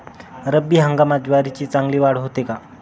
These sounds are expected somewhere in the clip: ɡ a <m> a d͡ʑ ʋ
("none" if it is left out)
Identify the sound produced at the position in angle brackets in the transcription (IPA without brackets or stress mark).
m